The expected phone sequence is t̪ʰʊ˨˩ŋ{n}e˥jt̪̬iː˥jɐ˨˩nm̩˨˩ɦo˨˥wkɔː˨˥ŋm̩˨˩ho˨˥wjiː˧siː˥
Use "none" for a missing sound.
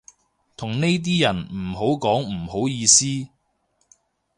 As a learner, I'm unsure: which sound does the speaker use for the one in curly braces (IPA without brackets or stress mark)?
n